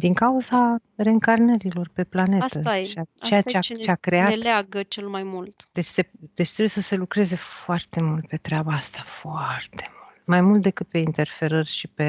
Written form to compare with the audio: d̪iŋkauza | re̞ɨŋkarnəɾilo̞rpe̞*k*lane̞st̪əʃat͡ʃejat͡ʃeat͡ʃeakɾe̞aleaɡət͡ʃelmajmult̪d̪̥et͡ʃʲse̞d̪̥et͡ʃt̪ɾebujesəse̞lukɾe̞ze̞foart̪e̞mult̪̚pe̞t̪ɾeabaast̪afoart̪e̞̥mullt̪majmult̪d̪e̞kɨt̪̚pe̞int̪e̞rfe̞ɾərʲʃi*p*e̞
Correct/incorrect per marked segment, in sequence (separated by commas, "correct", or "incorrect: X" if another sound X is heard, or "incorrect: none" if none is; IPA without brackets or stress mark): incorrect: p, correct